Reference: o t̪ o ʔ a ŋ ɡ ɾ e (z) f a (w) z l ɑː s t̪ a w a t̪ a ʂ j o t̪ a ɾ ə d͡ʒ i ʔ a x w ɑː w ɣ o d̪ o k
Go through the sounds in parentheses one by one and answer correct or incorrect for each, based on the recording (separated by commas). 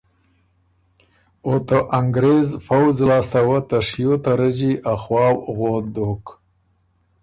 correct, correct